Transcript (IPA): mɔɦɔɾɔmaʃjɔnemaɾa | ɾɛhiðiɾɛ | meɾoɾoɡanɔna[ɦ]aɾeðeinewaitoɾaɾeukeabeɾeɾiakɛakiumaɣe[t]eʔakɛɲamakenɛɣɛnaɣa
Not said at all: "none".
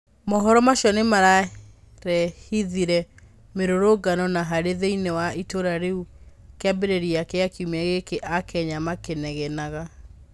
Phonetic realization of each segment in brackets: ɦ, k

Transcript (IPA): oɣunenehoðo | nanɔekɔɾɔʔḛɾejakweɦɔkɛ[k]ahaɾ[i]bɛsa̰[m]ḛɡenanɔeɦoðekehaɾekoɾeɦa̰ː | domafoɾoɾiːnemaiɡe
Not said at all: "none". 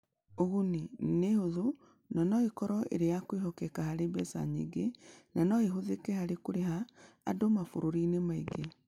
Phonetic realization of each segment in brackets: k, e, ɲ

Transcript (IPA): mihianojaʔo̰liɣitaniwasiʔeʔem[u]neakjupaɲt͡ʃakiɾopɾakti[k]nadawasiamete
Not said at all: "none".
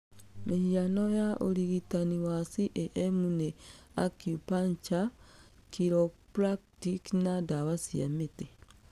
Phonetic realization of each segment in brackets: u, k

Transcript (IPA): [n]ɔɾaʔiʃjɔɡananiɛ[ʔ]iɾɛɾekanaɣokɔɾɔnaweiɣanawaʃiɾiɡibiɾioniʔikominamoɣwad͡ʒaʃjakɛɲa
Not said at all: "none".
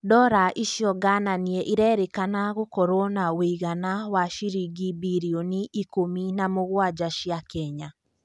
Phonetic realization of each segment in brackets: d, ʔ

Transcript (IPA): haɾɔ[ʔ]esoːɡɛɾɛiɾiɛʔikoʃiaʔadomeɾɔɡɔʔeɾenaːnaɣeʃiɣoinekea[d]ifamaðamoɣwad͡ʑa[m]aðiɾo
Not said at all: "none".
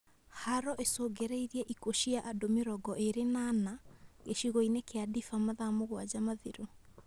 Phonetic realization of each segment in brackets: ʔ, d, m

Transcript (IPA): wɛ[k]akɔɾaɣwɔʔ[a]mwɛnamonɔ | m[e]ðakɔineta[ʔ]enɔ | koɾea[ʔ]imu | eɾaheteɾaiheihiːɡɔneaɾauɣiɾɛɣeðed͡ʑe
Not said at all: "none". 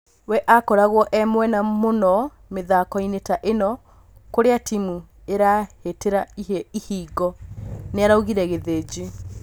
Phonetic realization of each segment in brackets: ʔ, ɛ, e, ʔ, t

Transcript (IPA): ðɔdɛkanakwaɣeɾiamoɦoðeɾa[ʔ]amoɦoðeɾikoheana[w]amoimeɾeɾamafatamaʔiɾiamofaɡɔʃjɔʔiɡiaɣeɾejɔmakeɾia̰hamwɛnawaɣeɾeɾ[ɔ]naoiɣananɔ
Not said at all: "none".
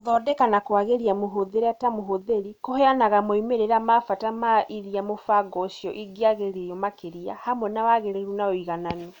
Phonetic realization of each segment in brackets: t, ɣ, u

